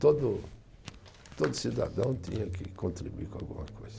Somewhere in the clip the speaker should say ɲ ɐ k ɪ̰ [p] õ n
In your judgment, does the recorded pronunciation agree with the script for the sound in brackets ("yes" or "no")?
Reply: no